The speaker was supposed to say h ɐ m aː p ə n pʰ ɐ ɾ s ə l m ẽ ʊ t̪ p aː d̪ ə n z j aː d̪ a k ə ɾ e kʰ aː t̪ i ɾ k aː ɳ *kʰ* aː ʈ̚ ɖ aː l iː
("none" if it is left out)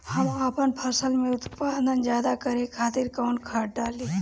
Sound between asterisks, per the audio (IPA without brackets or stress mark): kʰ